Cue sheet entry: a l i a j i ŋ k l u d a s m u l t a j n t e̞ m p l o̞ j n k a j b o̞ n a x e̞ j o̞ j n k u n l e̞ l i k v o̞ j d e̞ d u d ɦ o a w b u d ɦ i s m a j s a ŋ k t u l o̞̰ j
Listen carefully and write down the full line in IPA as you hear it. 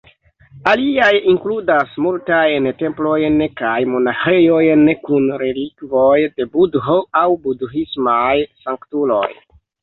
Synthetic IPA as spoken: a l i a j i ŋ k l u d a s m u l t a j n t e̞ m p l o̞ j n k a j m o̞ n a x e̞ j o̞ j n k u n ɾ e̞ l i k v o̞ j d e̞ b u d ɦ o a w b u d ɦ i s m a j s a ŋ k t u l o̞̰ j